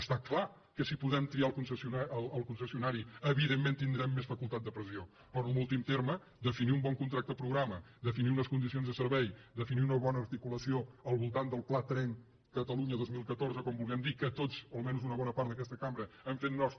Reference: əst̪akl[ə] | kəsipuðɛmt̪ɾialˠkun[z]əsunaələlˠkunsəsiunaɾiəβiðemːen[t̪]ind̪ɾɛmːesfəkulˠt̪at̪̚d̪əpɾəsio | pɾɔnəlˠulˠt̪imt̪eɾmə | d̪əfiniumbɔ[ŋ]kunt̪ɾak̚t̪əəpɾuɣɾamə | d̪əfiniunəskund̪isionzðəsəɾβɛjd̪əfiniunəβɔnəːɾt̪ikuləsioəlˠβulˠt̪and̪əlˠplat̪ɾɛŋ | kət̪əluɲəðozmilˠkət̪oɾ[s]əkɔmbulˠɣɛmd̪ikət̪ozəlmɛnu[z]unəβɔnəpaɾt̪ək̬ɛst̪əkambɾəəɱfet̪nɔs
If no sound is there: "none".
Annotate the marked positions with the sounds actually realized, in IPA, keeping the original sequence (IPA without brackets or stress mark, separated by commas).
a, s, t̪, ŋ, z, z